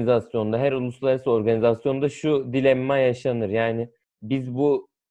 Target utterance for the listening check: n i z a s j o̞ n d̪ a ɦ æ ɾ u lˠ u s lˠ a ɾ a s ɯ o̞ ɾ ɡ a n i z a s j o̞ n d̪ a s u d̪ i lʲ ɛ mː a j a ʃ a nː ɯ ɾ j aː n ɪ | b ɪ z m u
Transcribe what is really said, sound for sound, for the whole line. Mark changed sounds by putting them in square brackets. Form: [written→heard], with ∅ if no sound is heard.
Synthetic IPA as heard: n i z a s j o̞ n d̪ a ɦ æ ɾ u lˠ u s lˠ a ɾ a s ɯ o̞ ɾ ɡ a n i z a s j o̞ n d̪ a [s→ʃ] u d̪ i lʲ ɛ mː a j a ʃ a [nː→n] ɯ ɾ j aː n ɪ | b [ɪ→i] z [m→b] u